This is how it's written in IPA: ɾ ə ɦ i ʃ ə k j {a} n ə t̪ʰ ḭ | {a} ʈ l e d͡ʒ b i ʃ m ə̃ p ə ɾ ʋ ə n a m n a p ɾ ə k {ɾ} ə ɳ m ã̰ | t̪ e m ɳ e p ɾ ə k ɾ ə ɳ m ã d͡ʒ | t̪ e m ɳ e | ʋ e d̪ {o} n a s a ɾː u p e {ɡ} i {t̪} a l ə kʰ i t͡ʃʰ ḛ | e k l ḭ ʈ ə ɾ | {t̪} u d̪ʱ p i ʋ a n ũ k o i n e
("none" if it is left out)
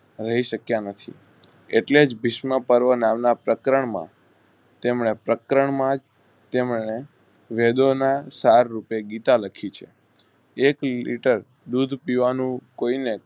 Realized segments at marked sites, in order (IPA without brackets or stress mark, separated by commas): a, e, ɾ, o, ɡ, t̪, d̪